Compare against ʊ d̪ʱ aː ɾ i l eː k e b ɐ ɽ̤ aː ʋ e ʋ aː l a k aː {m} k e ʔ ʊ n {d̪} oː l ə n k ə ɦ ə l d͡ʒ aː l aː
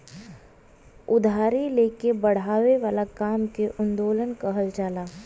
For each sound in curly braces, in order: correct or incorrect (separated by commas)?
correct, correct